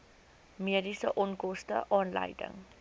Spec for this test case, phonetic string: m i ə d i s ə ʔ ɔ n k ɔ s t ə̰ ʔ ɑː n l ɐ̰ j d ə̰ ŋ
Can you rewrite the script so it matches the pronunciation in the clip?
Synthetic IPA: m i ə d i s ə ʔ ɔ n k ɔ s t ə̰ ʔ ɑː n l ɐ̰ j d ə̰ ŋ